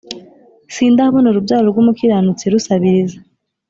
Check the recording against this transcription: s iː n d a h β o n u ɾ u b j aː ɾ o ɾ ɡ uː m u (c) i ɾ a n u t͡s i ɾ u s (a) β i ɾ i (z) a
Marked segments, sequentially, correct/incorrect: incorrect, correct, correct

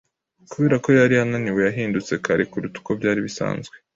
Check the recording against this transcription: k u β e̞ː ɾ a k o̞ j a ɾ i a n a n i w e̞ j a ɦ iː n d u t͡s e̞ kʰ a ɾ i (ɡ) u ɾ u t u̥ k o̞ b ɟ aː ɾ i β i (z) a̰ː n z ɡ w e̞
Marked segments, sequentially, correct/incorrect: incorrect, incorrect

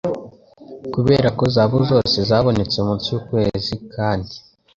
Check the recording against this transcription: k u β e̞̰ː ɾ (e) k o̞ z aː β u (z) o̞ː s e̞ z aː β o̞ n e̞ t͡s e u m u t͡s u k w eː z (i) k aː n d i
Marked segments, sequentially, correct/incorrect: incorrect, correct, correct

